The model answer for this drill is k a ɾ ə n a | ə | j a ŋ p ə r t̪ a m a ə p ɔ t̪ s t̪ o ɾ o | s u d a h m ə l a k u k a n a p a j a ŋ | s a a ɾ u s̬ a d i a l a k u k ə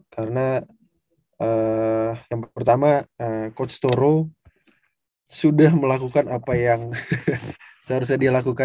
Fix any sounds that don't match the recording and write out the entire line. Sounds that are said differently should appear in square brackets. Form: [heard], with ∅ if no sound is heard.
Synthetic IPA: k a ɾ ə n a | ə | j a ŋ p ə r t̪ a m a ə [k] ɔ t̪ s t̪ o ɾ o | s u d a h m ə l a k u k a n a p a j a ŋ | s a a ɾ u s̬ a d i a l a k u k [a]